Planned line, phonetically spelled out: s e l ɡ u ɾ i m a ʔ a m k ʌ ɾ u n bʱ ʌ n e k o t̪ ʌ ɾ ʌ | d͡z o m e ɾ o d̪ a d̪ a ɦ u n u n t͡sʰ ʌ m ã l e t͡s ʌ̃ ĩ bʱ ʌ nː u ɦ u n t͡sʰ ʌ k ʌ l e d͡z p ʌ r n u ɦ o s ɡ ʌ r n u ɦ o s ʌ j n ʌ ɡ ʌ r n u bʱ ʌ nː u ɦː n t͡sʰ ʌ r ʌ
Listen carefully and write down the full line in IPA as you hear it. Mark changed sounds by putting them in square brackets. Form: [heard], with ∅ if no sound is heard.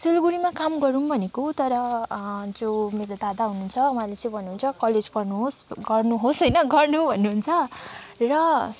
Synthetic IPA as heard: s e l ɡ u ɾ i m a [k] a m [ɡ] ʌ ɾ u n bʱ ʌ n e k o t̪ ʌ ɾ ʌ | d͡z o m e ɾ o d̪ a d̪ a ɦ u n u n t͡sʰ ʌ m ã l e t͡s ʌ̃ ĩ bʱ ʌ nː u ɦ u n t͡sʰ ʌ k ʌ l e d͡z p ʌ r n u ɦ o s ɡ ʌ r n u ɦ o s ʌ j n ʌ ɡ ʌ r n u bʱ ʌ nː u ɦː n t͡sʰ ʌ r ʌ